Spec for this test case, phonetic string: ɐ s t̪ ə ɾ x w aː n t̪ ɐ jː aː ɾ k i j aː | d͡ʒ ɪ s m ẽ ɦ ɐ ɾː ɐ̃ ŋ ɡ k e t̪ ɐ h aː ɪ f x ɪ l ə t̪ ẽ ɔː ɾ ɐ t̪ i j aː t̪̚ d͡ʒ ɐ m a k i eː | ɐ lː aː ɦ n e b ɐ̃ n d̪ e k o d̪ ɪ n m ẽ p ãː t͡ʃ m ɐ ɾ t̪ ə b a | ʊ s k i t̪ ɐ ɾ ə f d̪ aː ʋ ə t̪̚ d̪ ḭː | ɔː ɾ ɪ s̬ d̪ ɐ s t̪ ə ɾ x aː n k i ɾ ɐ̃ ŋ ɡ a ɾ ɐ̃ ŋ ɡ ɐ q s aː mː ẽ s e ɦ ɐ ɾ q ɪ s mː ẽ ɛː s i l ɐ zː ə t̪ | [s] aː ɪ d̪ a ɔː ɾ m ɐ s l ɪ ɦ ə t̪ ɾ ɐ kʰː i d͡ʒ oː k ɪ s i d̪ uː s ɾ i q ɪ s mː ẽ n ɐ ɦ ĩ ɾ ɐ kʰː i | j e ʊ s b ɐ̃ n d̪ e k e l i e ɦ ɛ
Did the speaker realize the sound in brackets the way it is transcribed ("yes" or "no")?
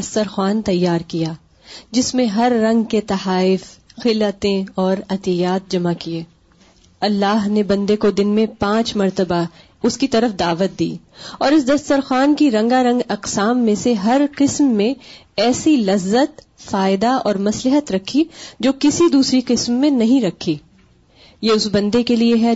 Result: no